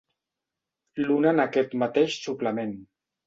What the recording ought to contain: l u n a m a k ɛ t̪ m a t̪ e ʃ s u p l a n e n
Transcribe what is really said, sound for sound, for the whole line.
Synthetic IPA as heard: l u n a n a k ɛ t̪ m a t̪ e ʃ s u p l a m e n